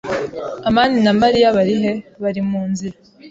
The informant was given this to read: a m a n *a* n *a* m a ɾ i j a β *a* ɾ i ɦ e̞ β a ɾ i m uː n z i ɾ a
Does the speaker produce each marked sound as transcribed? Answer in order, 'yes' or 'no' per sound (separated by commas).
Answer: no, yes, yes